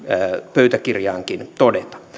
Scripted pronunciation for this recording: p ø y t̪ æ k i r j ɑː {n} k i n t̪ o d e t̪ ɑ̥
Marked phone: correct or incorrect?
incorrect